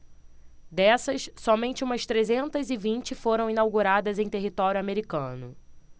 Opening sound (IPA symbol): d̪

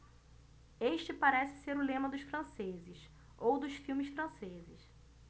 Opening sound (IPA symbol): e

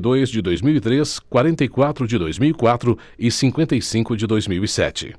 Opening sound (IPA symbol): d̪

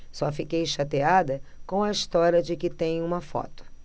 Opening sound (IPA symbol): s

